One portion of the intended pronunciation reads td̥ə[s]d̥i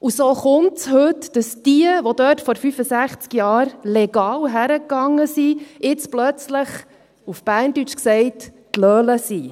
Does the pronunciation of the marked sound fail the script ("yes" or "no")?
no